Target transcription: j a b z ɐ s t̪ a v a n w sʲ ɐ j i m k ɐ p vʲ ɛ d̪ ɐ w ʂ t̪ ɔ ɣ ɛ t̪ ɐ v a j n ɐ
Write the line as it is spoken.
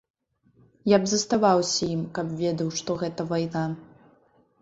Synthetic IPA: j a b z ɐ s t̪ a v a w sʲ ɐ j i m k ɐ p vʲ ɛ d̪ ɐ w ʂ t̪ ɔ ɣ ɛ t̪ ɐ v a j n a

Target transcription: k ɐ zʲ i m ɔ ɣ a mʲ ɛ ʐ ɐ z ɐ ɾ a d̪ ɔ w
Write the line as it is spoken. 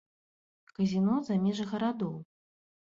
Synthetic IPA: k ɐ zʲ i n ɔ z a mʲ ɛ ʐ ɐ ɣ ɐ ɾ a d̪ ɔ w

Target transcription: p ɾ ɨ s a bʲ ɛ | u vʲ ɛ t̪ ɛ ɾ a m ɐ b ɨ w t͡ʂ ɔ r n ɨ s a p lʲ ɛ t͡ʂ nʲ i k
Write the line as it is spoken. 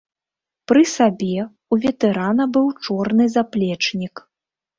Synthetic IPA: p ɾ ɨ s a bʲ ɛ | u vʲ ɛ t̪ ɛ ɾ a n ɐ b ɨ w t͡ʂ ɔ r n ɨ z a p lʲ ɛ t͡ʂ nʲ i k

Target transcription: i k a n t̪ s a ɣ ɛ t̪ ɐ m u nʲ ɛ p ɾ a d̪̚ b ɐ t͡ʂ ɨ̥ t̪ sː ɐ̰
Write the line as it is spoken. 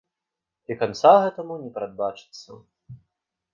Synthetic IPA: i k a n t̪ s a ɣ ɛ t̪ ɐ m u nʲ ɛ p ɾ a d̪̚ b a t͡ʂ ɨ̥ t̪ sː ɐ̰

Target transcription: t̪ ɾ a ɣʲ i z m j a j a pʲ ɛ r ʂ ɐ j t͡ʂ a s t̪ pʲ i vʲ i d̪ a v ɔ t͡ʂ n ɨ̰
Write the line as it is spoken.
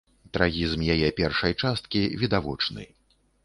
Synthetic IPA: t̪ ɾ a ɣʲ i z m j a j ɛ pʲ ɛ r ʂ ɐ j t͡ʂ a s t̪ kʲ i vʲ i d̪ a v ɔ t͡ʂ n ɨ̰

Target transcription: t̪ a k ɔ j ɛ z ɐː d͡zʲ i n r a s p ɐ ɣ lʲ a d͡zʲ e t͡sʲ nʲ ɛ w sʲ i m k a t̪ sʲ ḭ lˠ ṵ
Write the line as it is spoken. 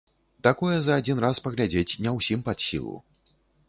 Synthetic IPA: t̪ a k ɔ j ɛ z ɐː d͡zʲ i n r a s p ɐ ɣ lʲ a d͡zʲ e t͡sʲ nʲ ɛ w sʲ i m p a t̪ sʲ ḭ lˠ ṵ

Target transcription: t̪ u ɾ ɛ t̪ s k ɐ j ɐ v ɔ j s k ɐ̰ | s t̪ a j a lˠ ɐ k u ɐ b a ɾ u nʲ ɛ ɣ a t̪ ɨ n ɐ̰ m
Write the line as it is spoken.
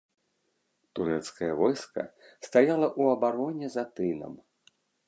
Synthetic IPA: t̪ u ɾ ɛ t̪ s k ɐ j ɐ v ɔ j s k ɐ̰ | s t̪ a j a lˠ ɐ ʔ u ɐ b a ɾ ɔ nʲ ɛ z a t̪ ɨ n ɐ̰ m

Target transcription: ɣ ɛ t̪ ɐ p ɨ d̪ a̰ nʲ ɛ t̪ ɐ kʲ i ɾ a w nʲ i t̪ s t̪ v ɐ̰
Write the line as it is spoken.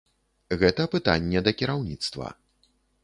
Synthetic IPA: ɣ ɛ t̪ ɐ p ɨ t̪ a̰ nʲː ɛ d̪ ɐ kʲ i ɾ a w nʲ i t̪ s t̪ v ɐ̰

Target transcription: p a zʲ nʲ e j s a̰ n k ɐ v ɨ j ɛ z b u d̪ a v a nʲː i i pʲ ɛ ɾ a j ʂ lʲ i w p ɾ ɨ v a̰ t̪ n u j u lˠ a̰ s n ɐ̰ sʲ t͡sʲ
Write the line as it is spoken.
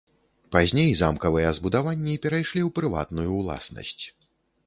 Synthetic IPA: p a zʲ nʲ e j z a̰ m k ɐ v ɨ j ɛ z b u d̪ a v a nʲː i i pʲ ɛ ɾ a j ʂ lʲ i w p ɾ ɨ v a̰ t̪ n u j u lˠ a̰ s n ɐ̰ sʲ t͡sʲ

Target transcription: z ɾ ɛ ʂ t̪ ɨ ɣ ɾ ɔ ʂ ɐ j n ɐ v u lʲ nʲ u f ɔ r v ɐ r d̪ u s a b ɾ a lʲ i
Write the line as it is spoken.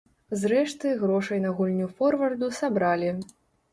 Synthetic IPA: z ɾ ɛ ʂ t̪ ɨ ɣ ɾ ɔ ʂ ɐ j n ɐ ɣ u lʲ nʲ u f ɔ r v ɐ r d̪ u s a b ɾ a lʲ i

